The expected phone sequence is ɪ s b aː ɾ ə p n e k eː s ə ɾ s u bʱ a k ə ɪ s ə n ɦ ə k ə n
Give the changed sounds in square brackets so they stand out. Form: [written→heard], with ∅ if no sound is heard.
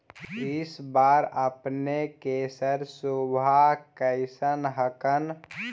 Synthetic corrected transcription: ɪ s b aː ɾ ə p n e k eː s ə ɾ s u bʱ a k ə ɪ s ə n ɦ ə k ə n

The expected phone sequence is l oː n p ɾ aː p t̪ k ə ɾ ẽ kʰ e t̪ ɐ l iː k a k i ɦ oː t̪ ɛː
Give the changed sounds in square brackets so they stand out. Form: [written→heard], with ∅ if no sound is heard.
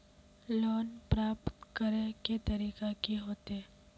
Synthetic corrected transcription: l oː n p ɾ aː p t̪ k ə ɾ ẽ [kʰ→k] e t̪ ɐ [l→ɾ] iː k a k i ɦ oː t̪ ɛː

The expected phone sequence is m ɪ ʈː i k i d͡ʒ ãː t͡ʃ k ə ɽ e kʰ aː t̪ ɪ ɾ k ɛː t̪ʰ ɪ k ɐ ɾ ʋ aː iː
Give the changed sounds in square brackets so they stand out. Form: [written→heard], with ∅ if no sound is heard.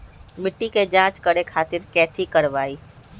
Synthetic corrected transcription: m ɪ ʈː i k [i→e] d͡ʒ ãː t͡ʃ k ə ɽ e kʰ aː t̪ ɪ ɾ k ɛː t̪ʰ [ɪ→i] k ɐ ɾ ʋ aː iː

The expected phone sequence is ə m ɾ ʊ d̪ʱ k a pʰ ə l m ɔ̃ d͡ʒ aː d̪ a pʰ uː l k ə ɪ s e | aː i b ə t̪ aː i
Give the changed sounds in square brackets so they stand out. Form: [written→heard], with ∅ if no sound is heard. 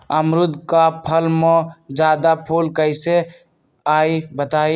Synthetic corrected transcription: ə m ɾ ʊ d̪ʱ k a pʰ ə l m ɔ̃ d͡ʒ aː d̪ a pʰ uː l k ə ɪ s e | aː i b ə t̪ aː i

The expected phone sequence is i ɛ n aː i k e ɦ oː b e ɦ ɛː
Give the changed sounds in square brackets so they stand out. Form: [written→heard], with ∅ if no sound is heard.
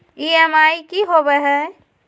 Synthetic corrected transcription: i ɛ [n→m] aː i k [e→i] ɦ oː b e ɦ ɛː

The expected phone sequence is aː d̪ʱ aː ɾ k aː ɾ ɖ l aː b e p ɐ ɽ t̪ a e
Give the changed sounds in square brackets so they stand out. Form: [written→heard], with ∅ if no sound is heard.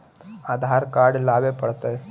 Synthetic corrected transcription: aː d̪ʱ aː ɾ k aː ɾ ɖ l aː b e p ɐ ɽ t̪ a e

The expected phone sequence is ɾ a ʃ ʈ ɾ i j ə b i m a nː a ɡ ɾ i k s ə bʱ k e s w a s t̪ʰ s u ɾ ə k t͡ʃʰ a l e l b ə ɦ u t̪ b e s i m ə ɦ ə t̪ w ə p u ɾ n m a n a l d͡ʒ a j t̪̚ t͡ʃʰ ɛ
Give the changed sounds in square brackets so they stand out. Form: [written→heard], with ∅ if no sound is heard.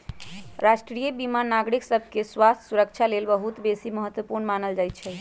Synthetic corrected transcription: ɾ a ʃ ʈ ɾ i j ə b i m a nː a ɡ ɾ i k s ə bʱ k e s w a s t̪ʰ s u ɾ ə k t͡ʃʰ a l e l b ə ɦ u t̪ b e s i m ə ɦ ə t̪ w ə p u ɾ n m a n [a→ə] l d͡ʒ a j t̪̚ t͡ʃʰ ɛ

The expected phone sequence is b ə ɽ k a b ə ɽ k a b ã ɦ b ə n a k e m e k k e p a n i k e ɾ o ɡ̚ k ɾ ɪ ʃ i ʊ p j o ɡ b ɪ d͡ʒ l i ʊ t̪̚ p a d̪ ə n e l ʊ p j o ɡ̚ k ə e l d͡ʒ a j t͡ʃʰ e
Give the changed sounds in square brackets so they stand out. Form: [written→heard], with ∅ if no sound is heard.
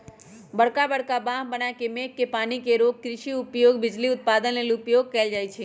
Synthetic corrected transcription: b ə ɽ k a b ə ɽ k a b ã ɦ b ə n a k e m e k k e p a n i k e ɾ o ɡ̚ k ɾ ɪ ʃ i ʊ p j o ɡ b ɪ d͡ʒ l i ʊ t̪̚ p a d̪ ə n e l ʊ p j o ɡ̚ k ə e l d͡ʒ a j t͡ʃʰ e

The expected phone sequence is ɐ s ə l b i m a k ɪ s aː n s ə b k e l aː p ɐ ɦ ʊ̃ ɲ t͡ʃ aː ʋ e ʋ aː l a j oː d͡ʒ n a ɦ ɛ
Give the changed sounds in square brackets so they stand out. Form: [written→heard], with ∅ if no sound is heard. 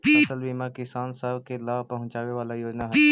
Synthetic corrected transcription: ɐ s ə l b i m a k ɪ s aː n s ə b k e l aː p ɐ ɦ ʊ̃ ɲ t͡ʃ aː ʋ e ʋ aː l a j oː d͡ʒ n a ɦ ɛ

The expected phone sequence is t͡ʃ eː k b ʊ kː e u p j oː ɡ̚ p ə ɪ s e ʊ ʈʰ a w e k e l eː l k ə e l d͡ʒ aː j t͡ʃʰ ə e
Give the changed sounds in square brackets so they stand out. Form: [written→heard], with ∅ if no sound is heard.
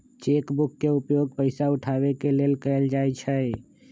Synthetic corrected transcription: t͡ʃ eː k b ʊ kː e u p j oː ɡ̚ p ə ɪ s [e→a] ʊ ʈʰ a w e k e l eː l k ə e l d͡ʒ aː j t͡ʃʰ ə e

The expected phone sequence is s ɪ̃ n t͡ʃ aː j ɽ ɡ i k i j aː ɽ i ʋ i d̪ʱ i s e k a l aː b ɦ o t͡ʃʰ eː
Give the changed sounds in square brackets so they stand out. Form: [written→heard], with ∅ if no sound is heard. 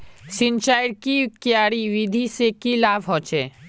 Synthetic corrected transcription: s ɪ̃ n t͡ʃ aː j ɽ [ɡ→k] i k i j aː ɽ i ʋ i d̪ʱ i s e k [a→i] l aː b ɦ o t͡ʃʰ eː

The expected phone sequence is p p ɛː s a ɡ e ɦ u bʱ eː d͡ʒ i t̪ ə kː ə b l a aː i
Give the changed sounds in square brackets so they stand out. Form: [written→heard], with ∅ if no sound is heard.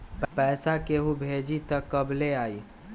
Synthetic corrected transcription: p p ɛː s a [ɡ→k] e ɦ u bʱ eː d͡ʒ i t̪ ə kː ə b l [a→e] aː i

